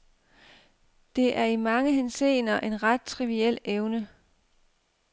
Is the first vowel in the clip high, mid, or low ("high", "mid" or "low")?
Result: mid